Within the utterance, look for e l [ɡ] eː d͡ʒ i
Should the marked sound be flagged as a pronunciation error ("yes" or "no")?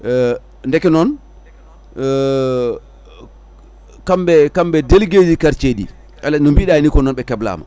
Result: no